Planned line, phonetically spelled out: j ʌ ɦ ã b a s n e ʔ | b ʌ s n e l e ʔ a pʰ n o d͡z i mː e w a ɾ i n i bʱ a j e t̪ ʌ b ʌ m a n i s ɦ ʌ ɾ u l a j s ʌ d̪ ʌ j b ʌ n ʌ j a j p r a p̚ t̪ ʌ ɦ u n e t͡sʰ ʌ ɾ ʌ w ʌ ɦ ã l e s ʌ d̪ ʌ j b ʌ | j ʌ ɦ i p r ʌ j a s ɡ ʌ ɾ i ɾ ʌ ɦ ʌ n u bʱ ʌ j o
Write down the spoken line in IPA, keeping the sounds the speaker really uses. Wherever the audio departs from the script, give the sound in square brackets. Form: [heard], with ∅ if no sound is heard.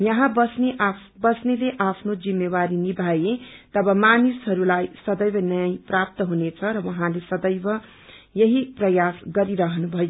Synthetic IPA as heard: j ʌ ɦ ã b [ʌ] s n e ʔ | b ʌ s n e l e ʔ a pʰ n o d͡z i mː e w a ɾ i n i bʱ a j e t̪ ʌ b ʌ m a n i s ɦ ʌ ɾ u l a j s ʌ d̪ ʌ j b ʌ n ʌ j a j p r a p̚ t̪ ʌ ɦ u n e t͡sʰ ʌ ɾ ʌ w ʌ ɦ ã l e s ʌ d̪ ʌ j b ʌ | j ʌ ɦ i p r ʌ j a s ɡ ʌ ɾ i ɾ ʌ ɦ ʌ n u bʱ ʌ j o